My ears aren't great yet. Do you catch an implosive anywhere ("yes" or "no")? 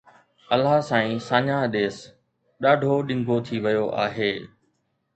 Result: yes